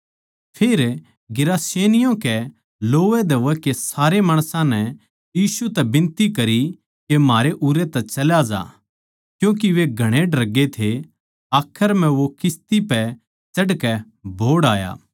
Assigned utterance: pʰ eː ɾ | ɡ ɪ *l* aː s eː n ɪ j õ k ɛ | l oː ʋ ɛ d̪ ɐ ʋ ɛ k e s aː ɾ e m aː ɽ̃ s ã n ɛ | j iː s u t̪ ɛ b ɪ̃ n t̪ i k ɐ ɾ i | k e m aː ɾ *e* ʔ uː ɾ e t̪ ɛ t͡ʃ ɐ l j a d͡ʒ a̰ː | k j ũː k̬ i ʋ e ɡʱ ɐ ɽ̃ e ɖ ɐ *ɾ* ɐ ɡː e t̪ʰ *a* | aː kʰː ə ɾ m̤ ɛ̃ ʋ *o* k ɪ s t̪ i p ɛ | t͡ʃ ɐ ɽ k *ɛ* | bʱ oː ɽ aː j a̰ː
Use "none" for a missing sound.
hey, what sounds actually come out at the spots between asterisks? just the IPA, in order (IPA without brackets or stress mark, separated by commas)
ɾ, e, ɾ, e, o, ɛ